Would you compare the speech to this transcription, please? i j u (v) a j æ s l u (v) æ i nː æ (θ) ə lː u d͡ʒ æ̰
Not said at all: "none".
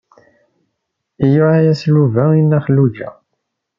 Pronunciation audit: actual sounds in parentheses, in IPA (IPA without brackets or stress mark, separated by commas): ʕ, v, χ